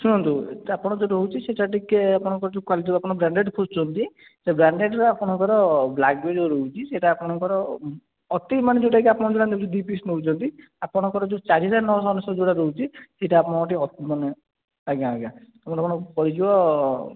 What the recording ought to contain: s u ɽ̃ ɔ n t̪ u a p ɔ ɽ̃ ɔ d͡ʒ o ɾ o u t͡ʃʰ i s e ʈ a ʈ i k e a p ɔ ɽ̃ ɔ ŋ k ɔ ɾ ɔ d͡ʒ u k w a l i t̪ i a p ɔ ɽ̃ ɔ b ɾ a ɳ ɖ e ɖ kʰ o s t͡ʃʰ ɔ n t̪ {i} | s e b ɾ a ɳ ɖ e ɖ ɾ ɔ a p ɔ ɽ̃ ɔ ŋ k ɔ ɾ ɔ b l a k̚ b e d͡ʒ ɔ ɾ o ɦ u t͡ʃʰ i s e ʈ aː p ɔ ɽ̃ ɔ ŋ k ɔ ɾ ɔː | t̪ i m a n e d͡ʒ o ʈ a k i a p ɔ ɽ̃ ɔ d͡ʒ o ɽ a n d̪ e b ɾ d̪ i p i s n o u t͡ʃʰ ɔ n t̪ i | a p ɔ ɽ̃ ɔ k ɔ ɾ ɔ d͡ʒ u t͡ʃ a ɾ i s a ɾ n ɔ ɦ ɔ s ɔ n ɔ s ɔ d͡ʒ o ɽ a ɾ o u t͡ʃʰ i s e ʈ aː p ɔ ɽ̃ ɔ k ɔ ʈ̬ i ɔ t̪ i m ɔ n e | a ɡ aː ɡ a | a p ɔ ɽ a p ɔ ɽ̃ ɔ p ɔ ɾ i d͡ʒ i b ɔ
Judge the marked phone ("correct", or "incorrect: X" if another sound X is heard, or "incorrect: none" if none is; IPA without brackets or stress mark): correct